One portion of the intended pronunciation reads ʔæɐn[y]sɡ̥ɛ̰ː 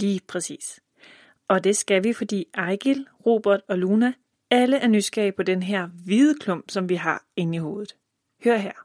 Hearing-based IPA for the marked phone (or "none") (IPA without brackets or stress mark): y